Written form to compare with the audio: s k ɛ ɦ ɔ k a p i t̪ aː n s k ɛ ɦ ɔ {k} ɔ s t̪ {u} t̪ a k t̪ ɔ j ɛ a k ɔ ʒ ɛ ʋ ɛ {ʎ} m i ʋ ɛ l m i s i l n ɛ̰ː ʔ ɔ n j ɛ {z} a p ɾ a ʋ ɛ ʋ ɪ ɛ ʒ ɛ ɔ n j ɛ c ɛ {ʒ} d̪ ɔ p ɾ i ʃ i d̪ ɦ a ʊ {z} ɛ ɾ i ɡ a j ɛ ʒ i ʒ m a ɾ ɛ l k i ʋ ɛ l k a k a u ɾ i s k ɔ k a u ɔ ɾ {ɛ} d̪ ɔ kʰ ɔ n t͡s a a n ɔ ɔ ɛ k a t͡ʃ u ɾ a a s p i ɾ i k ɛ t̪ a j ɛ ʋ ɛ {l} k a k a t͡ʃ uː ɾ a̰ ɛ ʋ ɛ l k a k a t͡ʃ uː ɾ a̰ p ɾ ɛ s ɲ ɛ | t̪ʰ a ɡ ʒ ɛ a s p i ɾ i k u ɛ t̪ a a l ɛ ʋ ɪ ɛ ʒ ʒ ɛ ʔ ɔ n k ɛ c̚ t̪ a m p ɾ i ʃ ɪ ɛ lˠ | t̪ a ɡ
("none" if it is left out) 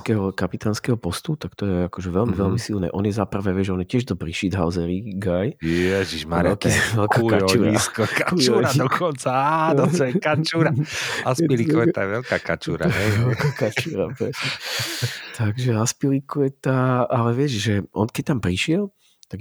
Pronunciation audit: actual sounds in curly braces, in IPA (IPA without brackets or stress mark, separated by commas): p, u, l, z, ʒ, z, a, l